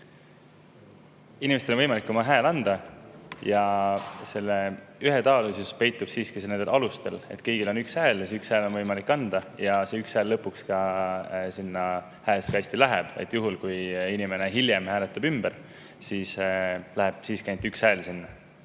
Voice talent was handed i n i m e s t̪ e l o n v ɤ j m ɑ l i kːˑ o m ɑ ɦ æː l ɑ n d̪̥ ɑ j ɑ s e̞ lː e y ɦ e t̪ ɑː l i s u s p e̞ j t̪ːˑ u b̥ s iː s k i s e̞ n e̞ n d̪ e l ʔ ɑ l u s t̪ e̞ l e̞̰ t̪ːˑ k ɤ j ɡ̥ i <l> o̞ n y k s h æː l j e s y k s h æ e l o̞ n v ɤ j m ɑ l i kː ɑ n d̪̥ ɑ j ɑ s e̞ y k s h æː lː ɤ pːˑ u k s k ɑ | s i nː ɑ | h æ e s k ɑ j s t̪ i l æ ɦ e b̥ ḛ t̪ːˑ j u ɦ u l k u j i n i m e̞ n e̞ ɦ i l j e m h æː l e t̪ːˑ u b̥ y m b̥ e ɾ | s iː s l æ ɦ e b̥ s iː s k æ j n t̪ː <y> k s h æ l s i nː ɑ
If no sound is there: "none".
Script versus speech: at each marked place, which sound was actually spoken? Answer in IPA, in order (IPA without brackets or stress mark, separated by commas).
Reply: l, y